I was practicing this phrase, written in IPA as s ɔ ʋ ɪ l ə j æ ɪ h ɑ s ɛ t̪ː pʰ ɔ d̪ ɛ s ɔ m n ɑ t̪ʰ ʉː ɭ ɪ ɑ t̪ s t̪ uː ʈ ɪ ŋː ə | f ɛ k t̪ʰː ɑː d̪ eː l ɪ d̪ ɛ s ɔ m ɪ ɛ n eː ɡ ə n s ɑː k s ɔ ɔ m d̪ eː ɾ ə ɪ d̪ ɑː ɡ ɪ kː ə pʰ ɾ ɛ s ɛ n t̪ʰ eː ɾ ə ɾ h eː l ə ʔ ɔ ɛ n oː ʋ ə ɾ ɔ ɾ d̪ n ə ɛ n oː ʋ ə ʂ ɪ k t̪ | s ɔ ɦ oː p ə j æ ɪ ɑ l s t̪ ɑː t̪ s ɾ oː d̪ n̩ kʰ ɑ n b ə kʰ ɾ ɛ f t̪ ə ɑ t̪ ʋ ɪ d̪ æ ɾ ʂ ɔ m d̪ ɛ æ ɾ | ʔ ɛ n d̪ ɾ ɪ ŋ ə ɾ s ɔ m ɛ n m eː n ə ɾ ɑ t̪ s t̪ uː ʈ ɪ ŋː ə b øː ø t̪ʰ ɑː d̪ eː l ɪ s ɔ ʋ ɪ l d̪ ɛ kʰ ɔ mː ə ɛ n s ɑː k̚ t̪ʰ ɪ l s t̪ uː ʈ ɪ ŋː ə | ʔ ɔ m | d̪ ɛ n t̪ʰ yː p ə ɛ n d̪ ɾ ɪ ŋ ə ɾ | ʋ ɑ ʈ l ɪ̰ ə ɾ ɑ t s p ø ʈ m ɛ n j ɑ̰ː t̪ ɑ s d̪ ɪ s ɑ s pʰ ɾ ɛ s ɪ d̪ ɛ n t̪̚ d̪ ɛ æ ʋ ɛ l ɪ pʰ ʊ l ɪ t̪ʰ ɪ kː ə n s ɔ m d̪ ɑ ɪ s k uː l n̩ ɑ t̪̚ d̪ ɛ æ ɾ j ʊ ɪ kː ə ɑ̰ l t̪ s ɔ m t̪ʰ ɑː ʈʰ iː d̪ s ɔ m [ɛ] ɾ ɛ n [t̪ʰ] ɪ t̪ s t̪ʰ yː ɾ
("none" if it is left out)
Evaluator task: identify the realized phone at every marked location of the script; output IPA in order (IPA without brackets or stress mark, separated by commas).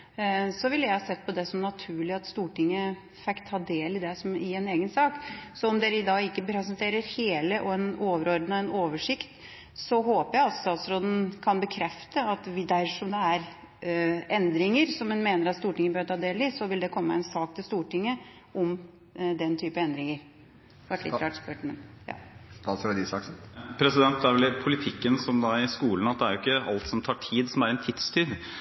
æ, t̪ʰ